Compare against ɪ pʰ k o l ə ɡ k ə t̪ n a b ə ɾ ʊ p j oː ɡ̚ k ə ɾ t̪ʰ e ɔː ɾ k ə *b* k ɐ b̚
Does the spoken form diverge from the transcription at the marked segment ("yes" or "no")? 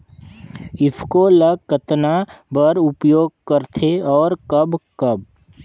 no